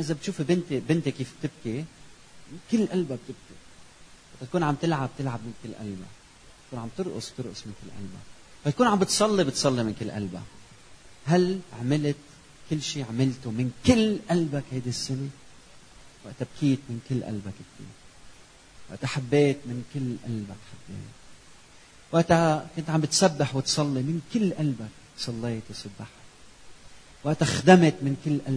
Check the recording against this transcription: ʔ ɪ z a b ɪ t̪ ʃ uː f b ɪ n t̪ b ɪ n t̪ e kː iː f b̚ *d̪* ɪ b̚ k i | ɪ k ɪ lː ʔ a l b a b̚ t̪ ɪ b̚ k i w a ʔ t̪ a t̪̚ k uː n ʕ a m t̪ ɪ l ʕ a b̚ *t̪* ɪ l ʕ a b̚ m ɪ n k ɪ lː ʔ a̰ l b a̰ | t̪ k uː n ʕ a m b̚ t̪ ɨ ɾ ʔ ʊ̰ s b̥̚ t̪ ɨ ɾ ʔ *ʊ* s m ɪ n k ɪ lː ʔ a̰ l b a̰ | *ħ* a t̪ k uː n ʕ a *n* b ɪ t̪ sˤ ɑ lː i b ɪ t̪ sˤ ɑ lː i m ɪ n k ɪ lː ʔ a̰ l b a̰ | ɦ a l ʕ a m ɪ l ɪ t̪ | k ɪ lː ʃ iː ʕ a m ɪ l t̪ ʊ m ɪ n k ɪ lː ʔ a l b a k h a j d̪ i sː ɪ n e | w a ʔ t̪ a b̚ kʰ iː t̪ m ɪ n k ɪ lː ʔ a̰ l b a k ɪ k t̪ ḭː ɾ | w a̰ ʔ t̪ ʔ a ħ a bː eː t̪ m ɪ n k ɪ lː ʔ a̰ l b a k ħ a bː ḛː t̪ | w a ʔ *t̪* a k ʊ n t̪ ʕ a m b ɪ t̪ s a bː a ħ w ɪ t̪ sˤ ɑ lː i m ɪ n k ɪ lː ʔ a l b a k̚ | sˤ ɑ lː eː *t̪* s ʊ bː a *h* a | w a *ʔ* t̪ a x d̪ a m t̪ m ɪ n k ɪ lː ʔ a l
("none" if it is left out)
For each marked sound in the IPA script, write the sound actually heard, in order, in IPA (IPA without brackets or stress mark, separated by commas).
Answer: t̪, t̪, ʊ, f, m, t̪, t̪, ħ, ʔ